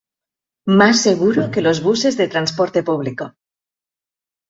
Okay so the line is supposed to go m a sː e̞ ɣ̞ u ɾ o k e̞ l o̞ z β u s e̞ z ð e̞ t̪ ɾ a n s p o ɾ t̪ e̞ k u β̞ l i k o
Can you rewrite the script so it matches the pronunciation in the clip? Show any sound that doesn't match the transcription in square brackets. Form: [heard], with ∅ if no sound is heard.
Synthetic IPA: m a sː e̞ ɣ̞ u ɾ o k e̞ l o̞ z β u s e̞ z ð e̞ t̪ ɾ a n s p o ɾ t̪ e̞ [p] u β̞ l i k o